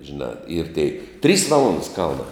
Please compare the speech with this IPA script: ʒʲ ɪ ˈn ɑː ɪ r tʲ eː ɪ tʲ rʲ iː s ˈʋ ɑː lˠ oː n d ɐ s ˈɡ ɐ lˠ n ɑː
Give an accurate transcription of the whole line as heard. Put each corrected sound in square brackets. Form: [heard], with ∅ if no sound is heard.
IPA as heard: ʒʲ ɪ ˈn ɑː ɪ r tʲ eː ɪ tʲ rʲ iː s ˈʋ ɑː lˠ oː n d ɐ s [ˈk] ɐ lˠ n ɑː